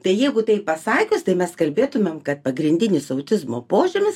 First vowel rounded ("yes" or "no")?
no